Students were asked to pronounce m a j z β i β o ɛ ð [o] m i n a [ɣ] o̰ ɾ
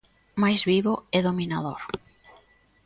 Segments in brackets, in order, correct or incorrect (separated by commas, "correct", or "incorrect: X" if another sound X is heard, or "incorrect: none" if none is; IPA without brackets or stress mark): correct, incorrect: ð